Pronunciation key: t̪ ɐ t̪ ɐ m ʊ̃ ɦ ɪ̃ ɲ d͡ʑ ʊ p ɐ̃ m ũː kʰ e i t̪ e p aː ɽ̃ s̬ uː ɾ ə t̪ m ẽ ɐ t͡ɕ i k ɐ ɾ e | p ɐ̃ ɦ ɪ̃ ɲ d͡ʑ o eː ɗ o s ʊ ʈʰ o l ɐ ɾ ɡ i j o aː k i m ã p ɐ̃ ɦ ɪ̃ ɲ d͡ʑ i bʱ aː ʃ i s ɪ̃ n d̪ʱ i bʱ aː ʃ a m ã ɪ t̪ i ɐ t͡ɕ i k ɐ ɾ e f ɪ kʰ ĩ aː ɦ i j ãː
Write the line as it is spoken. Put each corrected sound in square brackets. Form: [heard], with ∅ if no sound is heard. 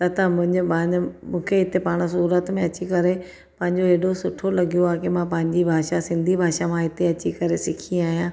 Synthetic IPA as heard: t̪ ɐ t̪ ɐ m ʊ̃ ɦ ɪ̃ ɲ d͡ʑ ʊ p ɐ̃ m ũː kʰ e [ɪ] t̪ e p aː ɽ̃ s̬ uː ɾ ə t̪ m ẽ ɐ t͡ɕ i k ɐ ɾ e | p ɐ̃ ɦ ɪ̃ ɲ d͡ʑ o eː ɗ o s ʊ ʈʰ o l ɐ [∅] ɡ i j o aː k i m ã p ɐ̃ ɦ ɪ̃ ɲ d͡ʑ i bʱ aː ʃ [a] s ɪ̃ n d̪ʱ i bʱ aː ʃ a m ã ɪ t̪ [e] ɐ t͡ɕ i k ɐ ɾ e [s] ɪ kʰ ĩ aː ɦ i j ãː